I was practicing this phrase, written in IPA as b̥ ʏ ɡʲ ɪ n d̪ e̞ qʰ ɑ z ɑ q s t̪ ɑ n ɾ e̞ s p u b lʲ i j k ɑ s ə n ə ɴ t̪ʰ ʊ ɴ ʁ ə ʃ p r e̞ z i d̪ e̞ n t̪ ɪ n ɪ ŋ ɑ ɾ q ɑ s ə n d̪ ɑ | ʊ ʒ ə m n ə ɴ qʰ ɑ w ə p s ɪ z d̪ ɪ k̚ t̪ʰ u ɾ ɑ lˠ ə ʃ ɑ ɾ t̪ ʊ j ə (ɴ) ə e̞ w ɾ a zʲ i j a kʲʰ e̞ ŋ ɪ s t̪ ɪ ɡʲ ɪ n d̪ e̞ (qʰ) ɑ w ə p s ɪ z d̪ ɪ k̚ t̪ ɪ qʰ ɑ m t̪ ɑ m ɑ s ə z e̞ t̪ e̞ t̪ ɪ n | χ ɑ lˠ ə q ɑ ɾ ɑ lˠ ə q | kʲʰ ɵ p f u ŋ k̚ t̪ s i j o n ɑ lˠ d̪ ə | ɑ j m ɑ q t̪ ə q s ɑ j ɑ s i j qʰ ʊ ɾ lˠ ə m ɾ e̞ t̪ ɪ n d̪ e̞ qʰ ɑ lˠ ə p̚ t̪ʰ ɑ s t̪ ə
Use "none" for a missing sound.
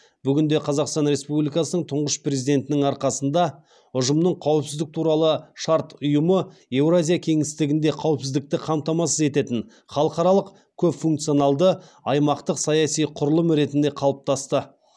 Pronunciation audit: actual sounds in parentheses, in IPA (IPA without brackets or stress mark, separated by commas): m, qʰ